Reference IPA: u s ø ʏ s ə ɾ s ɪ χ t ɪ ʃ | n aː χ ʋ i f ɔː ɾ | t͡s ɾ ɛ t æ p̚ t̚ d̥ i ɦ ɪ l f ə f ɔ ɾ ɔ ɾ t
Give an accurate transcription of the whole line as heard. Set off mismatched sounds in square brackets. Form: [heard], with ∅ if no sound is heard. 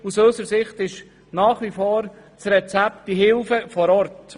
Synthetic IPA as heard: u s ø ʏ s ə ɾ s ɪ χ t ɪ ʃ | n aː χ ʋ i f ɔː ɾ | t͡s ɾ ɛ [t͡s] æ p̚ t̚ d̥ i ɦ ɪ l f ə f ɔ ɾ ɔ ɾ t